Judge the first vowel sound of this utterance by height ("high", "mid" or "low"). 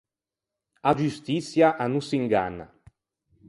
low